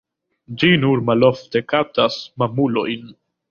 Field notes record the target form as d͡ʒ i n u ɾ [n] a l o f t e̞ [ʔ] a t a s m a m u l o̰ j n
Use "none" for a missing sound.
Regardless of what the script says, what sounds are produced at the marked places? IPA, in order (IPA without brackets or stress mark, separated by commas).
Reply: m, k